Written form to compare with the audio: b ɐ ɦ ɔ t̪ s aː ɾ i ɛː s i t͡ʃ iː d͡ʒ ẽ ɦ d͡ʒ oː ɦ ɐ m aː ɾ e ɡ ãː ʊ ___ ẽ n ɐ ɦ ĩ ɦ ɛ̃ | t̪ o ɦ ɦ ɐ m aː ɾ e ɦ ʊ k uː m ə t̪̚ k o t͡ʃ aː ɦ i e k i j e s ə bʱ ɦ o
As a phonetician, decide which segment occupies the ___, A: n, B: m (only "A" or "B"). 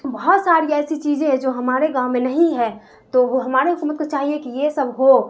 B